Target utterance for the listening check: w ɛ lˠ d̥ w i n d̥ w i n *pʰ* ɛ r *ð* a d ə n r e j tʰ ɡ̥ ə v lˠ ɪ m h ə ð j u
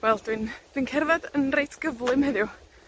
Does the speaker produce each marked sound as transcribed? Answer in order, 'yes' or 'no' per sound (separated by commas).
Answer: no, no